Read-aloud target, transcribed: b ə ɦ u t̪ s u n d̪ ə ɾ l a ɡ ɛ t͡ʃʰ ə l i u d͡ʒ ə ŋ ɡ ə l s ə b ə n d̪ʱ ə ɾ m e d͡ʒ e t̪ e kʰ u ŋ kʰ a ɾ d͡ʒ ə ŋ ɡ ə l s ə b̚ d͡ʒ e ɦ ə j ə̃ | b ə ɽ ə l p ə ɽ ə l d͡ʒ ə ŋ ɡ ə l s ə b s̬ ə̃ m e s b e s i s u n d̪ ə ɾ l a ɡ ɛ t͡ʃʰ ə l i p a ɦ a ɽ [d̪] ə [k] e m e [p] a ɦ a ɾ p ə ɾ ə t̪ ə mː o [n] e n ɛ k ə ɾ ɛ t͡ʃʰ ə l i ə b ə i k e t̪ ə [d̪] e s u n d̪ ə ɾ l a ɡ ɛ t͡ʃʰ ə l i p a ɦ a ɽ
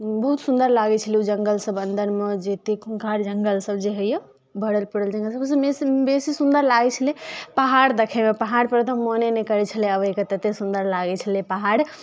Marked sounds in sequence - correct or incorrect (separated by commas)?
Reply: correct, incorrect, correct, correct, incorrect